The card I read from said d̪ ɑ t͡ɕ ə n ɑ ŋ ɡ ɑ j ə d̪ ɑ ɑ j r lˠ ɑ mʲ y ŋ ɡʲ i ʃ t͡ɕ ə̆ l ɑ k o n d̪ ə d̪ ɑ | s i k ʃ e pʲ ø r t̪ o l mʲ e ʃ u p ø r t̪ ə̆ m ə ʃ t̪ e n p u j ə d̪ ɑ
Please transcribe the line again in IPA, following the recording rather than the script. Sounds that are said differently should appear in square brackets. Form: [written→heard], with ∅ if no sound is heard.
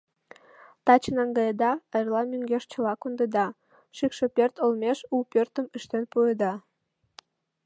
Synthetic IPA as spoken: [d̪→t̪] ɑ t͡ɕ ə n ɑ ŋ ɡ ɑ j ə d̪ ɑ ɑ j r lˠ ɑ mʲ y ŋ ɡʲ [i→e] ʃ t͡ɕ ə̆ l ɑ k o n d̪ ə d̪ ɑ | [s→ʃ] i k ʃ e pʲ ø r t̪ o l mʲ e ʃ u p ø r t̪ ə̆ m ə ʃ t̪ e n p u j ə d̪ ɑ